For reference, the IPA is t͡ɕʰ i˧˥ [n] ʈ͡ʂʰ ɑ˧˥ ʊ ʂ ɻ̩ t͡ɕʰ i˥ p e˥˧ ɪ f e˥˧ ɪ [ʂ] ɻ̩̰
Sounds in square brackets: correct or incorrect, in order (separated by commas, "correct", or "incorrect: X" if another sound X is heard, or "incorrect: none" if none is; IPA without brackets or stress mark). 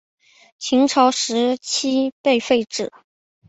incorrect: ŋ, incorrect: ʈ͡ʂ